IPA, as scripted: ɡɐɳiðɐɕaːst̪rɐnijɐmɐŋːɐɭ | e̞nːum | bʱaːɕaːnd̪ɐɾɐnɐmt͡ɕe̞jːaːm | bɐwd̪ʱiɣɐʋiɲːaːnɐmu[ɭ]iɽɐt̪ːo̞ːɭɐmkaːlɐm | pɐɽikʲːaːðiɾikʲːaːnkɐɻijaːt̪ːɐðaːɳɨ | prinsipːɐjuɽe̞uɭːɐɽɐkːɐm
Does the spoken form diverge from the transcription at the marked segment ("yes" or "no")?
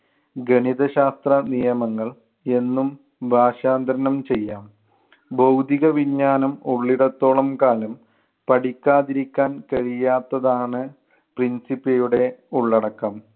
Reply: yes